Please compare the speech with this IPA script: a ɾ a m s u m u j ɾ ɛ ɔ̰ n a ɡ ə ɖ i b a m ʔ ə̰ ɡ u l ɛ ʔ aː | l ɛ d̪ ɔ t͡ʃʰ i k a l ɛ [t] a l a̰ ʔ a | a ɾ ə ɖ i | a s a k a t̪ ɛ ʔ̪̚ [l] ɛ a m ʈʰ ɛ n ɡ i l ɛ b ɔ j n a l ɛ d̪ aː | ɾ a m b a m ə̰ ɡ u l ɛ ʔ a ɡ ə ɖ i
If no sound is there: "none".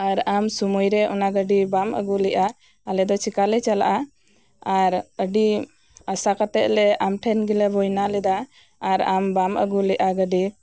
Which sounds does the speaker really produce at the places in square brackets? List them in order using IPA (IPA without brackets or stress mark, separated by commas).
t͡ʃ, l